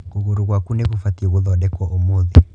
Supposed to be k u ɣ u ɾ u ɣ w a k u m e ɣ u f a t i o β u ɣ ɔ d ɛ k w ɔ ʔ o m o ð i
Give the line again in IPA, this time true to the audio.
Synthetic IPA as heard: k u ɣ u ɾ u ɣ w a k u n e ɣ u f a t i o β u ð ɔ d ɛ k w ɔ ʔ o m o ð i